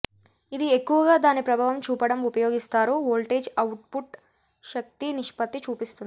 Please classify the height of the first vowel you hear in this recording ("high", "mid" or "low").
high